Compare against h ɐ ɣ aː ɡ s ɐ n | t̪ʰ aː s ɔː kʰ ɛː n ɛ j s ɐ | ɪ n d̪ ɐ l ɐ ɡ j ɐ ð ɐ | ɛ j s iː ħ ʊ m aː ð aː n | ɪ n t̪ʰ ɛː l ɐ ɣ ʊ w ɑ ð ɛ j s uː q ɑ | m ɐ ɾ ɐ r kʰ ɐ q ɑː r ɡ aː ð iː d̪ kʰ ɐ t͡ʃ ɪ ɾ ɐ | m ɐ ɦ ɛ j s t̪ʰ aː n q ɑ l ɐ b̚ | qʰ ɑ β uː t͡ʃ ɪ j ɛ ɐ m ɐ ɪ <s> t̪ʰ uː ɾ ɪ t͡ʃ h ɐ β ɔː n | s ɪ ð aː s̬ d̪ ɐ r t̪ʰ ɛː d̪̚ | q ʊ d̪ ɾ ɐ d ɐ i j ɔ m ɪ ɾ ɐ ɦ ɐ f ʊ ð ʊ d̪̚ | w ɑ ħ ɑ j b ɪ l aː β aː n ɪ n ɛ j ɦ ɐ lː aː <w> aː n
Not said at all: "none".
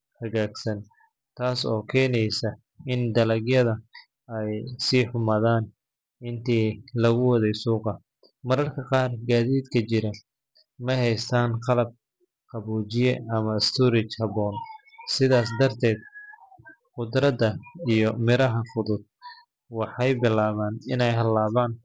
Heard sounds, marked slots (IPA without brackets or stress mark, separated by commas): s, β